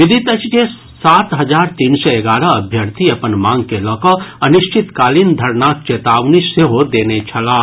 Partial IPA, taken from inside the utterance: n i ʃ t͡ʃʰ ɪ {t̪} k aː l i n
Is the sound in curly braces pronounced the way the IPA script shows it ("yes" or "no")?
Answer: yes